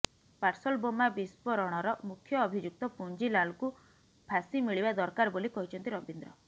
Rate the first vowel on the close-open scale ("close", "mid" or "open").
open